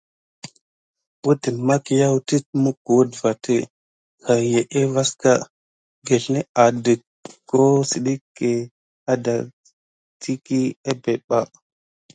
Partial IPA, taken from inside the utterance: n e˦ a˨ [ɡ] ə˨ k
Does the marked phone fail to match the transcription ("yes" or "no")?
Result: yes